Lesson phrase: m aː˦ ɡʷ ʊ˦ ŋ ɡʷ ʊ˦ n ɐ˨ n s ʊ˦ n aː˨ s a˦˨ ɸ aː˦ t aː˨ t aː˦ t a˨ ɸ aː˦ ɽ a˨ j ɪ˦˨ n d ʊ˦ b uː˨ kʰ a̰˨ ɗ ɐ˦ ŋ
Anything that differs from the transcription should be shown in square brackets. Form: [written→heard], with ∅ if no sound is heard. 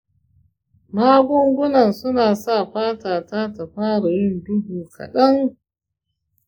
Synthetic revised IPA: m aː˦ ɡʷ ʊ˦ ŋ ɡʷ ʊ˦ n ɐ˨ n s ʊ˦ n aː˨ s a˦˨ ɸ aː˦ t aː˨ t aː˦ t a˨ ɸ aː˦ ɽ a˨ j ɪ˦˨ n d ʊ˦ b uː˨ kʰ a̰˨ ɗ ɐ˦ ŋ